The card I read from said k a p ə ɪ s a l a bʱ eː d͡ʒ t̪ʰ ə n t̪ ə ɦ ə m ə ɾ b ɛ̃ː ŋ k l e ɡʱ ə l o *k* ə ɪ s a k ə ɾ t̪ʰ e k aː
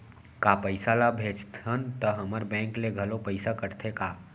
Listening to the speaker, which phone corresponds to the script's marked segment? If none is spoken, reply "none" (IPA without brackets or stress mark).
p